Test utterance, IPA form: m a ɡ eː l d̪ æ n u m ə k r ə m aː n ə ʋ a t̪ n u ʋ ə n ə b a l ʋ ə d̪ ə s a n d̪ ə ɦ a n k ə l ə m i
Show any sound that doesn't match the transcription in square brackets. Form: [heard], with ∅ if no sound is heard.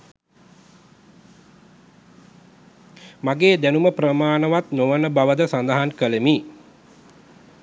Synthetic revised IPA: m a ɡ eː [∅] d̪ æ n u m ə [p] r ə m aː n ə ʋ a t̪ n [o] ʋ ə n ə b a [∅] ʋ ə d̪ ə s a n d̪ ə ɦ a n k ə l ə m i